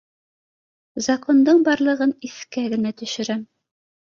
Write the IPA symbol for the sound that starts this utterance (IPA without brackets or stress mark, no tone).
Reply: z